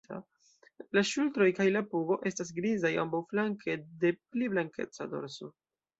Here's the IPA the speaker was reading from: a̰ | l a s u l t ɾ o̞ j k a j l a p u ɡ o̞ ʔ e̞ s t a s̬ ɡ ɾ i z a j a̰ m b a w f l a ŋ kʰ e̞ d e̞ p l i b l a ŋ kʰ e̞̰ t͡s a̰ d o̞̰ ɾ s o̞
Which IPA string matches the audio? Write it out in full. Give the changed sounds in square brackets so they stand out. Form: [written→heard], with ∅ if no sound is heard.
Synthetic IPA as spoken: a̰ | l a [s→ʃ] u l t ɾ o̞ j k a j l a p u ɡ o̞ ʔ e̞ s t a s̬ ɡ ɾ i z a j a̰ m b a w f l a ŋ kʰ e̞ d e̞ p l i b l a ŋ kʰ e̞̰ t͡s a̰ d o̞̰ ɾ s o̞